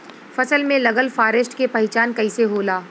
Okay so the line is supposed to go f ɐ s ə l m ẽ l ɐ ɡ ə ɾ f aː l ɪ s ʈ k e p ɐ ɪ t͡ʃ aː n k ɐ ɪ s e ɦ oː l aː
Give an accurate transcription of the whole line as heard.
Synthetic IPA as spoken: f ɐ s ə l m ẽ l ɐ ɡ ə l f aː ɾ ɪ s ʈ k e p ɐ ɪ t͡ʃ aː n k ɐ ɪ s e ɦ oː l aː